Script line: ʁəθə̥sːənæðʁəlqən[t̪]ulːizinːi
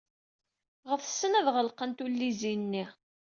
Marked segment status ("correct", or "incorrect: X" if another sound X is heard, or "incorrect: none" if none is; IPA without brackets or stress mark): correct